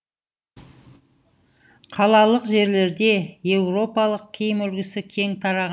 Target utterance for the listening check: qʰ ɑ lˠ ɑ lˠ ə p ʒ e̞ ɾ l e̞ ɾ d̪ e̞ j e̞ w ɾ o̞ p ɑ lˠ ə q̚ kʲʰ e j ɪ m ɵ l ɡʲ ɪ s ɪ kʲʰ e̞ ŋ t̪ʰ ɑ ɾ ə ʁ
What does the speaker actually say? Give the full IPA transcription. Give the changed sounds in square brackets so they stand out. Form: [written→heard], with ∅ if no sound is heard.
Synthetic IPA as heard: qʰ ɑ lˠ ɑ lˠ ə [p→q] ʒ e̞ ɾ l e̞ ɾ d̪ e̞ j e̞ w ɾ o̞ p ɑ lˠ ə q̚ kʲʰ e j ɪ m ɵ l ɡʲ ɪ s ɪ kʲʰ e̞ ŋ t̪ʰ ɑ ɾ [ə→ɑ] ʁ